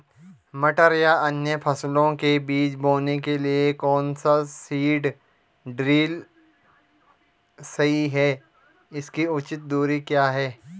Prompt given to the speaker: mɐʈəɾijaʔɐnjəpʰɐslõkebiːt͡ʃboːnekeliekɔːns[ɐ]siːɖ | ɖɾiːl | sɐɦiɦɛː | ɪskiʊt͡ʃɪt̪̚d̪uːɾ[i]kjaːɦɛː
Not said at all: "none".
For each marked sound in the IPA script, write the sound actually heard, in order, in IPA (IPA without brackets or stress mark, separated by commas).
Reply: a, i